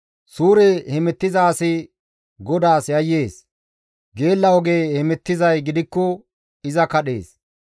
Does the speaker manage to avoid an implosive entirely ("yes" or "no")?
no